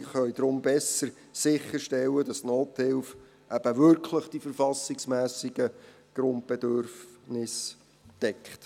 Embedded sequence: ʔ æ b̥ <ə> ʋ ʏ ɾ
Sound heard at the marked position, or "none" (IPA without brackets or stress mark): ə